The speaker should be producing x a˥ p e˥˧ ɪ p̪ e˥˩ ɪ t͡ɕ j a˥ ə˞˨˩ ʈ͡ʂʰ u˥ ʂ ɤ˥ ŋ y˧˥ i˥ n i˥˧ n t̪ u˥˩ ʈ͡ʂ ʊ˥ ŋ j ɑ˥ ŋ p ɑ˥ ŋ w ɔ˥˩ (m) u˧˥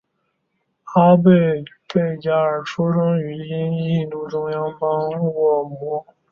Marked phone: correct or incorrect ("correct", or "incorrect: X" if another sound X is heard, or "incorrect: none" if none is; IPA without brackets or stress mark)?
correct